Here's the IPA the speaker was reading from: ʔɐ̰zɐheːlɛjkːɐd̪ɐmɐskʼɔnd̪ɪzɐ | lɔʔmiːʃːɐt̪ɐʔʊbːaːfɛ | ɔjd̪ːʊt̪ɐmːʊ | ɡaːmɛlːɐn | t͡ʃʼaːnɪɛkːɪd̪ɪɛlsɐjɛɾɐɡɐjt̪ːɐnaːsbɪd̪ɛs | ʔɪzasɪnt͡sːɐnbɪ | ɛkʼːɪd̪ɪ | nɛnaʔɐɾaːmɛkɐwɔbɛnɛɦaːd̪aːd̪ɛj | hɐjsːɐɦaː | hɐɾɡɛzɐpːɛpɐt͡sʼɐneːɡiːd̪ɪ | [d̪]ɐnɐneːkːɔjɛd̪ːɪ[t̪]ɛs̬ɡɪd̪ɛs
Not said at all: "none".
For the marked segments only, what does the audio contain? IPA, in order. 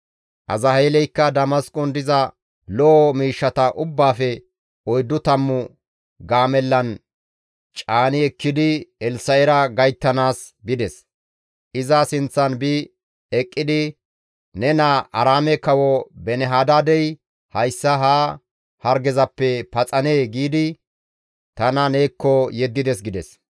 t̪, d̪

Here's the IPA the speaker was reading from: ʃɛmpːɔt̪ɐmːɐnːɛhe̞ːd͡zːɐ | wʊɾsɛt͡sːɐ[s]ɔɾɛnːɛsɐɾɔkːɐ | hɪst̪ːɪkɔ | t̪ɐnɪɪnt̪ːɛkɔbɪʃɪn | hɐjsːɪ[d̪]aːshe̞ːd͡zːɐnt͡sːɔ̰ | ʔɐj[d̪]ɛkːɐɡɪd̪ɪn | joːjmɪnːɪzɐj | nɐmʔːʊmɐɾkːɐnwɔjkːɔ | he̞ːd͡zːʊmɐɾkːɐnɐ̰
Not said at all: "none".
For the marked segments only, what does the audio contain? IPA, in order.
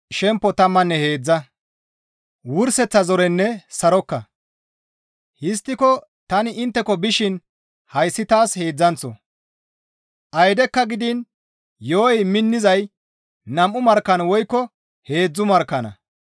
z, t̪, d̪

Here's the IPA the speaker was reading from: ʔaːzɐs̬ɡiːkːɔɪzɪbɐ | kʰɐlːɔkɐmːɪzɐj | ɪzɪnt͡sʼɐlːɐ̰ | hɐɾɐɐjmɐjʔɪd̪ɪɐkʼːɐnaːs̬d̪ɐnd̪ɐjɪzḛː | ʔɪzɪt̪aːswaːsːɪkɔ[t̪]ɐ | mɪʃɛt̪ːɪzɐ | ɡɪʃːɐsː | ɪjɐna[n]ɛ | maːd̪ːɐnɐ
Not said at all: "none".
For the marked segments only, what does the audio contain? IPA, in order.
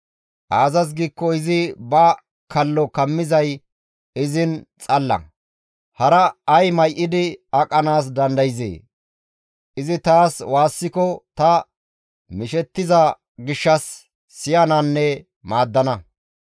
t̪, nː

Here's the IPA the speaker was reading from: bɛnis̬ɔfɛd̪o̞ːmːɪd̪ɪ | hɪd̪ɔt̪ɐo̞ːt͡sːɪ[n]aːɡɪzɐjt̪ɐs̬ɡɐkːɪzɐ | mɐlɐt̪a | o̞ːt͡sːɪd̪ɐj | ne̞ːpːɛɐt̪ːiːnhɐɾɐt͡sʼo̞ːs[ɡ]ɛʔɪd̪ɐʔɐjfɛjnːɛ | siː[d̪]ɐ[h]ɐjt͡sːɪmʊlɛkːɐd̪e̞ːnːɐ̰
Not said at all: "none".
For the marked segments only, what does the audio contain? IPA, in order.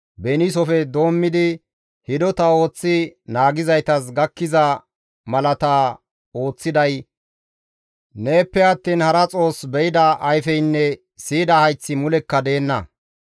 n, b, d̪, h

